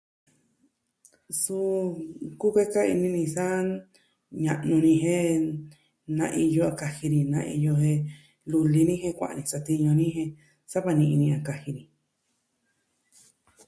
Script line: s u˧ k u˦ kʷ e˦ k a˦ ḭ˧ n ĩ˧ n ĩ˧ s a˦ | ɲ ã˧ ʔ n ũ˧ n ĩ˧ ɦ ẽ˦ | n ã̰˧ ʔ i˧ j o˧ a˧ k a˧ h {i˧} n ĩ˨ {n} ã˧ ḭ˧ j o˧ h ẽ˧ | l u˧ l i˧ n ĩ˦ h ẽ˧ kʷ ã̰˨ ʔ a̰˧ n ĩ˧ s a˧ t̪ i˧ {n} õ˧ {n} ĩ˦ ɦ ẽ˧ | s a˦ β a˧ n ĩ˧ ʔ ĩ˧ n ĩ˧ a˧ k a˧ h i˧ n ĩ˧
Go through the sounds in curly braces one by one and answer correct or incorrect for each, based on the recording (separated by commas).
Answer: correct, correct, incorrect, correct